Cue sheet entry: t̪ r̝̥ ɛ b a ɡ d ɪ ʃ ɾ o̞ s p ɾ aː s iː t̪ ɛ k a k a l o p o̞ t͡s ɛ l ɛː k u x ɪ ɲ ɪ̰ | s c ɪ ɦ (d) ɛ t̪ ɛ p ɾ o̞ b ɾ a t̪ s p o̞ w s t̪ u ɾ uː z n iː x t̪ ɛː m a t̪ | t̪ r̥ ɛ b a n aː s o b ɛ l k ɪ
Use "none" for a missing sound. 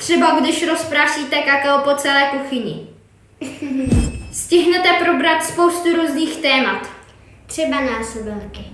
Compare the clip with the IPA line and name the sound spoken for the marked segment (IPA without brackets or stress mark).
n